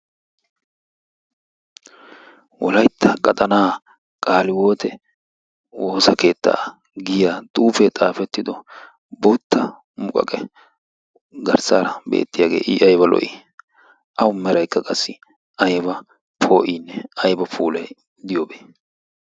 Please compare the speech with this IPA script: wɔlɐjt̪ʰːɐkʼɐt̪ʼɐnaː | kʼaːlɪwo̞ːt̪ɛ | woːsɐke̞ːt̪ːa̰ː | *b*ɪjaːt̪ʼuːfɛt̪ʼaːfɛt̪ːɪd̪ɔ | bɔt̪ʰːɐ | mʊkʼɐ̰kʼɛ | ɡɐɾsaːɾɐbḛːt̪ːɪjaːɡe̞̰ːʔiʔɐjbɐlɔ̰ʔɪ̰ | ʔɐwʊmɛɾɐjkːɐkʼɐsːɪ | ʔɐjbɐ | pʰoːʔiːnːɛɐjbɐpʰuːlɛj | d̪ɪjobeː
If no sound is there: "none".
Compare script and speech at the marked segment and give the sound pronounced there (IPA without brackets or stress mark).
ɡ